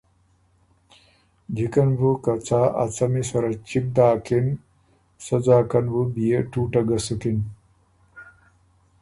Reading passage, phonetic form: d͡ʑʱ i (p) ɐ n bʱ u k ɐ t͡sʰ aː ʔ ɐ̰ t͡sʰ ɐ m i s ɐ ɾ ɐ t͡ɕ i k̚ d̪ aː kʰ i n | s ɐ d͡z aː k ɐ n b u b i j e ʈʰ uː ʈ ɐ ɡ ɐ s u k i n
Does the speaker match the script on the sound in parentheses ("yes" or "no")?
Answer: no